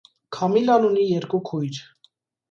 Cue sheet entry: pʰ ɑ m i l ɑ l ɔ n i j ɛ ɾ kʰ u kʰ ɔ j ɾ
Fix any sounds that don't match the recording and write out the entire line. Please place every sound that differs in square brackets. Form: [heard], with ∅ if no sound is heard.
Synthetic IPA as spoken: [kʰ] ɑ m i l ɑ l [u] n i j ɛ ɾ [k] u kʰ [u] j ɾ